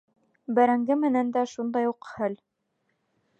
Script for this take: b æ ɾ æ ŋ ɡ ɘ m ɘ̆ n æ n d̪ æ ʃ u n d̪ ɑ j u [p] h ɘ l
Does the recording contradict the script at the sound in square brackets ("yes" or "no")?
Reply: yes